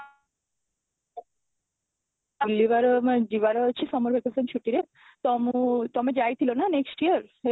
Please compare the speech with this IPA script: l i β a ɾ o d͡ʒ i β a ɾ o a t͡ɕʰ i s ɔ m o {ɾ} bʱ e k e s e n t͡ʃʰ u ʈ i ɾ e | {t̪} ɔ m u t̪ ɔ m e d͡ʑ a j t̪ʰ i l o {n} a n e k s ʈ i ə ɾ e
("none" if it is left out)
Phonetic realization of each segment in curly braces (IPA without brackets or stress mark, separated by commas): ɾ, t̪, n